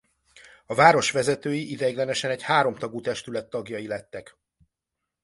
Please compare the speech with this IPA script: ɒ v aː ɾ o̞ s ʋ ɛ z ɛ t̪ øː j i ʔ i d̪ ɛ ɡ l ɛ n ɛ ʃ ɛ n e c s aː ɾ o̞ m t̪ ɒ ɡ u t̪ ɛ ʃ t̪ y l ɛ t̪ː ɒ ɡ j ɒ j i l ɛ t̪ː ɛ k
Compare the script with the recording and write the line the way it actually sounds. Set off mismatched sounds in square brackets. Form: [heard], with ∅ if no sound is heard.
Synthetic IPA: ɒ v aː ɾ o̞ [ʃ] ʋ ɛ z ɛ t̪ øː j i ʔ i d̪ ɛ ɡ l ɛ n ɛ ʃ ɛ n [ɛ] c [h] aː ɾ o̞ m t̪ ɒ ɡ u t̪ ɛ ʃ t̪ y l ɛ t̪ː ɒ ɡ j ɒ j i l ɛ t̪ː ɛ k